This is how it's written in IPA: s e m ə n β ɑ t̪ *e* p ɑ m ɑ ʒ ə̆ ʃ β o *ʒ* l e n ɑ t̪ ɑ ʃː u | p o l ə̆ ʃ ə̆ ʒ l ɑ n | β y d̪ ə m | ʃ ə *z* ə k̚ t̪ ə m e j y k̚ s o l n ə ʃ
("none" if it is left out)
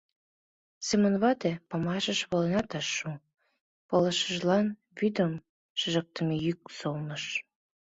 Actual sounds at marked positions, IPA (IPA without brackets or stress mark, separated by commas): e, none, ʒ